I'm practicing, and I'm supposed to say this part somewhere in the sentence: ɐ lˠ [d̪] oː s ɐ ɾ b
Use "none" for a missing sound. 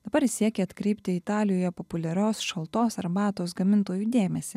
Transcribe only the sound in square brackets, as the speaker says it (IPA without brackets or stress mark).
t̪